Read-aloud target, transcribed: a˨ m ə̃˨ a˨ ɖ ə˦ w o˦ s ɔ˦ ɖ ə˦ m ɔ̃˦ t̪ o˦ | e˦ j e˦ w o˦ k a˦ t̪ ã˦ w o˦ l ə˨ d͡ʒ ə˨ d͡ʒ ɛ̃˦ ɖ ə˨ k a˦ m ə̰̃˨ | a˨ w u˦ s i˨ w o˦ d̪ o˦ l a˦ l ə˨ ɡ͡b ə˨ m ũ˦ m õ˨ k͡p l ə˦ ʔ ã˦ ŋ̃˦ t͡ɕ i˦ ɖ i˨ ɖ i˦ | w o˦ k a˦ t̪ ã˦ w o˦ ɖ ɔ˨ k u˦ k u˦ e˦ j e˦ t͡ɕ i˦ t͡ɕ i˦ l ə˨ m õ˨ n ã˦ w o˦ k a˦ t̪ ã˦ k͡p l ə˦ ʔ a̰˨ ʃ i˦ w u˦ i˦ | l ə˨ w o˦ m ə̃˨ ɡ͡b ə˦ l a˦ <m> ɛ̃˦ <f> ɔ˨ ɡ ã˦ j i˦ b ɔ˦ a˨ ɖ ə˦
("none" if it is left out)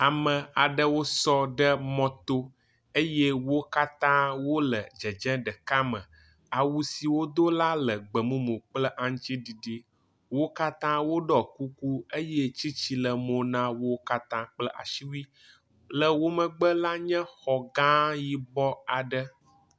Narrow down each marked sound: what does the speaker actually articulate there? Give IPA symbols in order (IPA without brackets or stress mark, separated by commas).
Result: ɲ, x